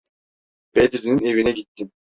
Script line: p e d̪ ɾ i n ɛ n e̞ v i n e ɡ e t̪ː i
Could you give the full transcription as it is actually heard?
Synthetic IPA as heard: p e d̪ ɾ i n i n e̞ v i n ɛ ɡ i t̪ː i